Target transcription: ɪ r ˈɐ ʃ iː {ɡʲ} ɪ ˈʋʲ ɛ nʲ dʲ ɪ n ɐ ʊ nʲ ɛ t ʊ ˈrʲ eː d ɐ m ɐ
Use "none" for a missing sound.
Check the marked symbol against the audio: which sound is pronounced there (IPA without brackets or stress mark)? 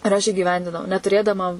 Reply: ɡʲ